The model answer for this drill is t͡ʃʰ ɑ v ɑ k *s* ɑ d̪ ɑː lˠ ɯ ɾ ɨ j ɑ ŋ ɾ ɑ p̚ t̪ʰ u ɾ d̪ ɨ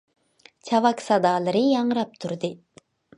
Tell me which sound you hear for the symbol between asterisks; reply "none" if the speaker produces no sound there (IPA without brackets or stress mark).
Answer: s